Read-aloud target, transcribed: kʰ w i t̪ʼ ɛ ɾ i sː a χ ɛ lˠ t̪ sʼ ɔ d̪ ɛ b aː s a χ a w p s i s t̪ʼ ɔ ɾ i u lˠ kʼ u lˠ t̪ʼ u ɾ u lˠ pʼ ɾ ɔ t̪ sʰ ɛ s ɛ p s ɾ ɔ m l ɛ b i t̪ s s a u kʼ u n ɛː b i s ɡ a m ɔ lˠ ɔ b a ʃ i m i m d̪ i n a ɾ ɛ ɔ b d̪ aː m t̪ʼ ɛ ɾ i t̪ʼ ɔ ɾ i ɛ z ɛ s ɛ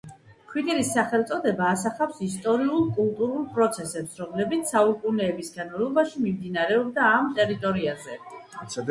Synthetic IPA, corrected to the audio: kʰ w i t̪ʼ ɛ ɾ i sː a χ ɛ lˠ t̪ sʼ ɔ d̪ ɛ b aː s a χ a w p s i s t̪ʼ ɔ ɾ i u lˠ kʼ u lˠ t̪ʼ u ɾ u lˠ pʼ ɾ ɔ t̪ sʰ ɛ s ɛ p s ɾ ɔ m l ɛ b i t̪ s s a u kʼ u n ɛː b i s ɡ a n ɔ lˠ ɔ b a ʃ i m i m d̪ i n a ɾ ɛ ɔ b d̪ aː m t̪ʼ ɛ ɾ i t̪ʼ ɔ ɾ i a z ɛ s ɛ